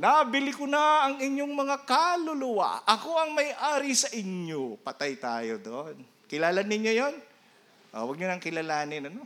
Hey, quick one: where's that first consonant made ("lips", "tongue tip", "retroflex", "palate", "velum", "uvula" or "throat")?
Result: tongue tip